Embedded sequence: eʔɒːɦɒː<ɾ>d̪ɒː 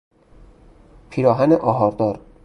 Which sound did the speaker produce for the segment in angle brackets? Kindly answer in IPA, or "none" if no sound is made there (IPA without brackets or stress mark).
ɾ